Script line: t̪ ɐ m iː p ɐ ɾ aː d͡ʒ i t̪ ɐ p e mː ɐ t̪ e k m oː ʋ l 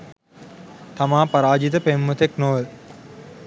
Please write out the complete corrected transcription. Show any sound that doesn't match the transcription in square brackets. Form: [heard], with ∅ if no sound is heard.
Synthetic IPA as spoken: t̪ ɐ m [aː] p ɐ ɾ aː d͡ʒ i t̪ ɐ p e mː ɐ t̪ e k [n] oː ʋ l